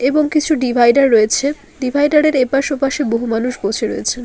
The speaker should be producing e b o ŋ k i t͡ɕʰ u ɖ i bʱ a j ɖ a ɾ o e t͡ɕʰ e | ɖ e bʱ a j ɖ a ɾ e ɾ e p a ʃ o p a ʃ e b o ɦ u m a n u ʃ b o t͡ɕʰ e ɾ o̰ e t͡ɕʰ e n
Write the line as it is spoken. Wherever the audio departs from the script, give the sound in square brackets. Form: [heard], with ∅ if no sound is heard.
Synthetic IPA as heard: e b o ŋ k i t͡ɕʰ u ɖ i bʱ a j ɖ a [ɾː] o e t͡ɕʰ e | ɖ [i] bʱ a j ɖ a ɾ e ɾ e p a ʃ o p a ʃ e b o ɦ u m a n u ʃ b o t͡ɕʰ e ɾ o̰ e t͡ɕʰ e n